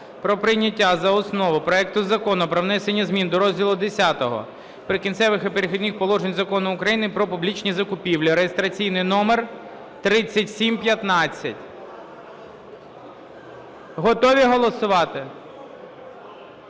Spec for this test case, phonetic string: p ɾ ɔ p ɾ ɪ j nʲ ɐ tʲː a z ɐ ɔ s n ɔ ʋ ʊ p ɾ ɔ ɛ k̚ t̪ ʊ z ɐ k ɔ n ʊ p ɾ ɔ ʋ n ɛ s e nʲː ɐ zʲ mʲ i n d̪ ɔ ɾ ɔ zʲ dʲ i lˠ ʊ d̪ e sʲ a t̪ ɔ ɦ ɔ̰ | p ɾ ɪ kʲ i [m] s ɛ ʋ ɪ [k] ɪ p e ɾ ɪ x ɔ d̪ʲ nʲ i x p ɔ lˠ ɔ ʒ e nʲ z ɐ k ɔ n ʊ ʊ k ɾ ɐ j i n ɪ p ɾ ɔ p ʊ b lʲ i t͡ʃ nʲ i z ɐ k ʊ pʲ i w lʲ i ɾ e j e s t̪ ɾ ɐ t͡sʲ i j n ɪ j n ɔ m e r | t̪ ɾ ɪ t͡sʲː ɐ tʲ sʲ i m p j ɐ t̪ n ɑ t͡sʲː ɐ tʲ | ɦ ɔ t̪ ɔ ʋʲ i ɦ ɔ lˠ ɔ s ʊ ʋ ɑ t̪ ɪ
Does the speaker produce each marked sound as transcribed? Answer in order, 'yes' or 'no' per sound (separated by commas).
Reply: no, no